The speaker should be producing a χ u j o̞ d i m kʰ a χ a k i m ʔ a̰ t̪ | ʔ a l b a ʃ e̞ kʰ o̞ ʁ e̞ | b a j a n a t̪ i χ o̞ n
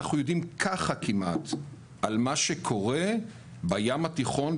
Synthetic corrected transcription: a χ u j o̞ d i m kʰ a χ a k i m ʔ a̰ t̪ | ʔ a l m a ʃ e̞ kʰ o̞ ʁ e̞ | b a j a m a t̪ i χ o̞ n